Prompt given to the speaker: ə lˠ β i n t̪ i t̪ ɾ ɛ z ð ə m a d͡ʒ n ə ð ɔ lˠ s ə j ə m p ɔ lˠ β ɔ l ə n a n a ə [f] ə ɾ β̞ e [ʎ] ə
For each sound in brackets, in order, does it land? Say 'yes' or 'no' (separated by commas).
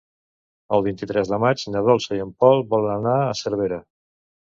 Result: no, no